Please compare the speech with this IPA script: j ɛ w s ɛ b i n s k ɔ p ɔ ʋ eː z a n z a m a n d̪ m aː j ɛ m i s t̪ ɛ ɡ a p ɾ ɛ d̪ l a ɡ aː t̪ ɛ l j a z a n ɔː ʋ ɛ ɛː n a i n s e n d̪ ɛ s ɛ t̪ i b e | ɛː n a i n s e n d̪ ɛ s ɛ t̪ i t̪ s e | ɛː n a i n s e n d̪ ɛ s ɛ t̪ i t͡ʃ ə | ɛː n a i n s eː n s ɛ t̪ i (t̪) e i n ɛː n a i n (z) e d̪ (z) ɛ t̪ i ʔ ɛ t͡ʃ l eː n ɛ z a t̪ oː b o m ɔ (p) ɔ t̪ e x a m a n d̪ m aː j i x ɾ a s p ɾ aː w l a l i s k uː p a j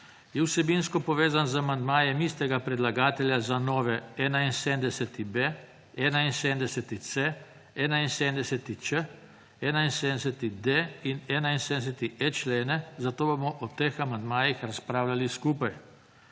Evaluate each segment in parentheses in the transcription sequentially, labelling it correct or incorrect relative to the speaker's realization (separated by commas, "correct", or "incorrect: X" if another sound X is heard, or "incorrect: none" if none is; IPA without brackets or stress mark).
incorrect: d̪, incorrect: s, incorrect: s, incorrect: ʔ